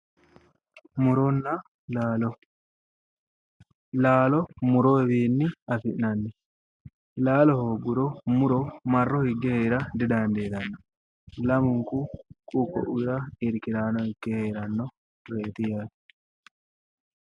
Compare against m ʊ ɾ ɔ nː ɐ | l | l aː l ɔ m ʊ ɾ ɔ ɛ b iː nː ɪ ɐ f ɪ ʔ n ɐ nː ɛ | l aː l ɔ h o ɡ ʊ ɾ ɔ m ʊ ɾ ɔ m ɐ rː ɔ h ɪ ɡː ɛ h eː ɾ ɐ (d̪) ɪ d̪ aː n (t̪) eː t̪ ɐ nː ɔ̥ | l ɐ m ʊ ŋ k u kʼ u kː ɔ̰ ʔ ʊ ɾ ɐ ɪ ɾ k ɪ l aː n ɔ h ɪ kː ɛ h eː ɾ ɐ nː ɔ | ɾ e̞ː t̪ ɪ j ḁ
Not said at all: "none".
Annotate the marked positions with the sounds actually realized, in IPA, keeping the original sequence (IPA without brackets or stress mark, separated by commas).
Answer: d̪, d̪